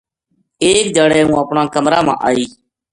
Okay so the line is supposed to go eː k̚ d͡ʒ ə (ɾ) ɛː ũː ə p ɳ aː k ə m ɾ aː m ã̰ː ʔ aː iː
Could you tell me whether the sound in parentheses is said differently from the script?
yes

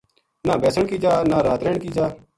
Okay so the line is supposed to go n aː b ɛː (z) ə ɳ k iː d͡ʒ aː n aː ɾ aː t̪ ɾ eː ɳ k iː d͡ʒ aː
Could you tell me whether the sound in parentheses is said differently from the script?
yes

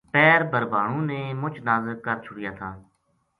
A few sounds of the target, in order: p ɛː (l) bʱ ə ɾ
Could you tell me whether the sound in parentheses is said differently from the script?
yes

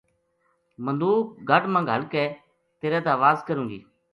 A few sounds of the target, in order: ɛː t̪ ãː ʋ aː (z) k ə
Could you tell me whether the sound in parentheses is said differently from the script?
no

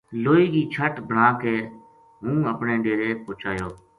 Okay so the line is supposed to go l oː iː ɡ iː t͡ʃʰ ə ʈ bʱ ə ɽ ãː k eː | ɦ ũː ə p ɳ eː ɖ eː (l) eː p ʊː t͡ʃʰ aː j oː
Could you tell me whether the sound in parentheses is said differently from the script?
yes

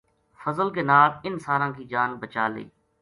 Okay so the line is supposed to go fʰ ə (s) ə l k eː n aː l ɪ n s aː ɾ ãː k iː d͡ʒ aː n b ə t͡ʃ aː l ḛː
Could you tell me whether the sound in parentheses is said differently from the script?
yes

